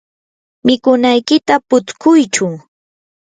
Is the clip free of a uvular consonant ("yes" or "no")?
yes